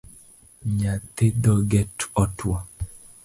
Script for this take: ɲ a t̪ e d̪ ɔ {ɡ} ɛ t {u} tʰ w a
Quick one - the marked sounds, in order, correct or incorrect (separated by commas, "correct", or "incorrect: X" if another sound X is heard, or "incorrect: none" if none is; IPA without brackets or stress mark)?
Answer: correct, incorrect: ɔ